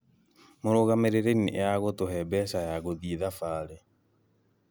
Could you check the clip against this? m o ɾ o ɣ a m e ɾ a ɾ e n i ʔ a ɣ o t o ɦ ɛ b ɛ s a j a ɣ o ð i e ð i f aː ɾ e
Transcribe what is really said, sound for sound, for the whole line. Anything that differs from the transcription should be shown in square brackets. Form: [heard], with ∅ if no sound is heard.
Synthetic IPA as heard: m o ɾ o ɣ a m e ɾ [e] ɾ e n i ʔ a ɣ o t o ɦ ɛ b ɛ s a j a ɣ o ð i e ð [a] f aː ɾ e